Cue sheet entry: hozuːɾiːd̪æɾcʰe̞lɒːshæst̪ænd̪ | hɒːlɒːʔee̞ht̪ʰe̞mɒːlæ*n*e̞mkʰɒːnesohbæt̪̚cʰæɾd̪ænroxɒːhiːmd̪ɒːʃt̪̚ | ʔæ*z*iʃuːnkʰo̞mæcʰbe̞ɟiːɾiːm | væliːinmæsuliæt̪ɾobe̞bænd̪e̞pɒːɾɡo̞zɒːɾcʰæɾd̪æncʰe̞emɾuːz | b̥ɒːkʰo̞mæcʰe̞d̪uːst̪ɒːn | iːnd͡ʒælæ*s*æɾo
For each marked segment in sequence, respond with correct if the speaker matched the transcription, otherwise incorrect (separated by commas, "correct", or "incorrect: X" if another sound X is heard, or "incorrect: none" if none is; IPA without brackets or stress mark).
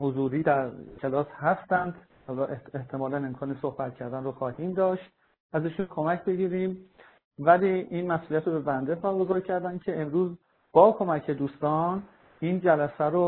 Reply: correct, correct, correct